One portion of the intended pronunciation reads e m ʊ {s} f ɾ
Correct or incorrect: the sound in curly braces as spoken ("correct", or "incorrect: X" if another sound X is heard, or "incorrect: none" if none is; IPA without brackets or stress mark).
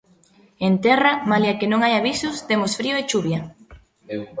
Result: correct